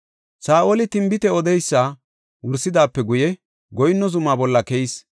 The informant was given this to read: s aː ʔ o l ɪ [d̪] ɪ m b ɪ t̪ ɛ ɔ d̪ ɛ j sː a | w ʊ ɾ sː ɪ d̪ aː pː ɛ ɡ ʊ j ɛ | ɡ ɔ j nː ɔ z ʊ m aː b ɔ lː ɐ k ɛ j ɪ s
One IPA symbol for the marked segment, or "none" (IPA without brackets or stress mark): t̪